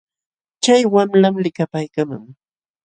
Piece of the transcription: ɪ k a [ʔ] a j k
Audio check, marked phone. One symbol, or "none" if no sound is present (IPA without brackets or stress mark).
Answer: p